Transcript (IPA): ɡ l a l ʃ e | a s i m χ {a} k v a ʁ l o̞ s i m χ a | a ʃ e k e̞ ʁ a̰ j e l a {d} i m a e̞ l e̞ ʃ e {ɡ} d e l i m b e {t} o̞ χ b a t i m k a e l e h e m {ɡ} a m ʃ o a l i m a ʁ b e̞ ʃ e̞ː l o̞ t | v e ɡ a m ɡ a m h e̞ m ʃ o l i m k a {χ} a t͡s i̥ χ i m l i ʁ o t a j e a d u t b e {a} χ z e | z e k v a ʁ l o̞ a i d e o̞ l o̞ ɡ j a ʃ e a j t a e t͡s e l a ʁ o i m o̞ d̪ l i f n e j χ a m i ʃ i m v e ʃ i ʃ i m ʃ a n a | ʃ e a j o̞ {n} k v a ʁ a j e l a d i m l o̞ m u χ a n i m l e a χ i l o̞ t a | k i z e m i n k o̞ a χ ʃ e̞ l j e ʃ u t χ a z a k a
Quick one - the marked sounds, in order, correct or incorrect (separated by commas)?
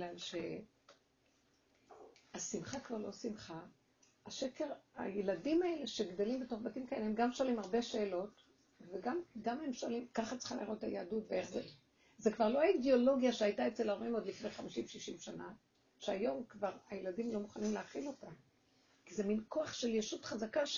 correct, correct, correct, correct, correct, correct, incorrect, incorrect